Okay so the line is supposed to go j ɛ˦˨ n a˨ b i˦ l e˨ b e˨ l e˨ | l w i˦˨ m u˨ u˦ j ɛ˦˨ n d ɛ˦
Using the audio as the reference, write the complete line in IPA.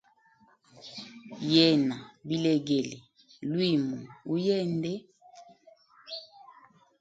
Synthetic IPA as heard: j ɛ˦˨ n a˨ b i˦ l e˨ ɡ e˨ l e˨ | l w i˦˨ m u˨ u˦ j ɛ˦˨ n d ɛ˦